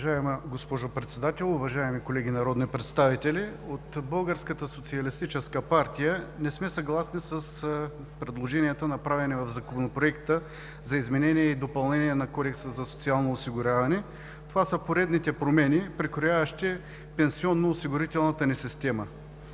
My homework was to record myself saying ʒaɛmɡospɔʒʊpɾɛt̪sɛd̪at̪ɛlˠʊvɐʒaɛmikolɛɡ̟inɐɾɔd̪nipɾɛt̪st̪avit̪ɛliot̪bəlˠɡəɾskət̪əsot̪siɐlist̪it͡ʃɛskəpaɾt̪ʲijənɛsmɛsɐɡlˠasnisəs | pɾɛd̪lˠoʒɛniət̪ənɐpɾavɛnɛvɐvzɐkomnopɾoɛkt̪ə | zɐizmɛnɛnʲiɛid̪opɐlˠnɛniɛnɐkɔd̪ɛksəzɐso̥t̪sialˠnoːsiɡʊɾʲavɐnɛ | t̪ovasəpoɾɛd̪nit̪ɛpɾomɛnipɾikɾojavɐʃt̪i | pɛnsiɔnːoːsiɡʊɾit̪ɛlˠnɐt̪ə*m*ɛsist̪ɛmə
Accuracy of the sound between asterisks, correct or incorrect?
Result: incorrect: n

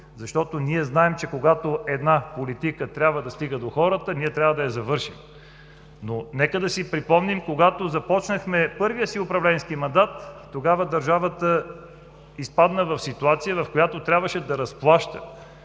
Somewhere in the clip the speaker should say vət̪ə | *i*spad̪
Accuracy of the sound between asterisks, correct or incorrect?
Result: correct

